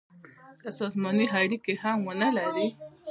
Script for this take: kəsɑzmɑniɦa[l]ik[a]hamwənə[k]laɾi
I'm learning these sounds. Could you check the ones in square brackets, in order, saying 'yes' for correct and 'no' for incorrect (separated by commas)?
no, no, no